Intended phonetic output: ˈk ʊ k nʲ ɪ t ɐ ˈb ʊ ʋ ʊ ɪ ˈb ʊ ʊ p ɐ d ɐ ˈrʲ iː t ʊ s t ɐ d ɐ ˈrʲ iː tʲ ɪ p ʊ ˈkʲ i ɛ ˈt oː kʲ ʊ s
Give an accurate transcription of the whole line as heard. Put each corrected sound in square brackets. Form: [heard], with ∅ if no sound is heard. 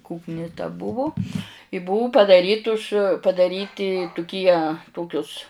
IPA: ˈk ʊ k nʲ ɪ t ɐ ˈb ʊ ʋ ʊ ɪ ˈb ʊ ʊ p ɐ d ɐ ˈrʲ iː t ʊ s [p] ɐ d ɐ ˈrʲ iː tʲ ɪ [t] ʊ ˈkʲ i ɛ ˈt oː kʲ ʊ s

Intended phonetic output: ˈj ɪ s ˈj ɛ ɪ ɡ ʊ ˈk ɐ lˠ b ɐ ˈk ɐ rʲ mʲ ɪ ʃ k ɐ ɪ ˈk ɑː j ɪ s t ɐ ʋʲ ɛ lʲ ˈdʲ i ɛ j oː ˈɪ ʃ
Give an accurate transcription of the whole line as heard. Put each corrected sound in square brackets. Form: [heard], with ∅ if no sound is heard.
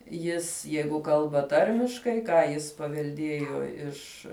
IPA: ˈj ɪ s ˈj ɛ ɪ ɡ ʊ ˈk ɐ lˠ b ɐ [ˈt] ɐ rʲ mʲ ɪ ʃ k ɐ ɪ ˈk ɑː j ɪ s [p] ɐ ʋʲ ɛ lʲ ˈdʲ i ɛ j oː ˈɪ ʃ

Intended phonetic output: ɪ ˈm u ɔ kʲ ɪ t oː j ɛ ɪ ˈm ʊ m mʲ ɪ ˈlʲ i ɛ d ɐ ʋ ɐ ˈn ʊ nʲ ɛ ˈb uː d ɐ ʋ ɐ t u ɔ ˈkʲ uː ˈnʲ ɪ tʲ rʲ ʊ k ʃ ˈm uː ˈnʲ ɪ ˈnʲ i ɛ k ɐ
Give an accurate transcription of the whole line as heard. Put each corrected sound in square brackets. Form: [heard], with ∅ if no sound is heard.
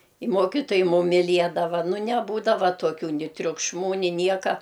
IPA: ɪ ˈm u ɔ kʲ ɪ t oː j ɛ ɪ ˈm ʊ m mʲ ɪ ˈlʲ i ɛ d ɐ ʋ ɐ ˈn ʊ nʲ ɛ ˈb uː d ɐ ʋ ɐ t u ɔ ˈkʲ uː ˈnʲ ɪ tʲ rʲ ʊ k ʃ ˈm uː ˈnʲ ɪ ˈnʲ i ɛ k ɐ

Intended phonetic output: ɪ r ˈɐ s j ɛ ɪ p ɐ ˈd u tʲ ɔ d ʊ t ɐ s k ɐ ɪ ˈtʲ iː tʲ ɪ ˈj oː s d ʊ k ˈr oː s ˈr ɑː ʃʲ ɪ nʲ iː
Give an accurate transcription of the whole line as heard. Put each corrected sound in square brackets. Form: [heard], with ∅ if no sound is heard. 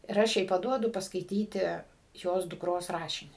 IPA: ɪ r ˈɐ [ʃ] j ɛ ɪ p ɐ ˈd u [∅] ɔ d ʊ [p] ɐ s k ɐ ɪ ˈtʲ iː tʲ ɪ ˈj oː s d ʊ k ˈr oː s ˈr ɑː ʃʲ ɪ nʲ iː

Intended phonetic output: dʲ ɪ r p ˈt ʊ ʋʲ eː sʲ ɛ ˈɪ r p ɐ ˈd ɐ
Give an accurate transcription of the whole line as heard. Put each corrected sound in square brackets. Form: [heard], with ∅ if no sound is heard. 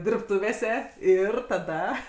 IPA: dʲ ɪ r p ˈt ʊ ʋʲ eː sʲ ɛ ˈɪ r [t] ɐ ˈd ɐ

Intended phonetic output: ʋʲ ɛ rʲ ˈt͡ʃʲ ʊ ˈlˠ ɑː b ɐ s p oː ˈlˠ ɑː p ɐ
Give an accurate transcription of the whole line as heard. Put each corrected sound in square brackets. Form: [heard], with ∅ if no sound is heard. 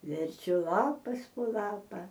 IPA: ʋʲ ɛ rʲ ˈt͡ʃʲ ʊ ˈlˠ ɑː [p] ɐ s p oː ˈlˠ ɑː p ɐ

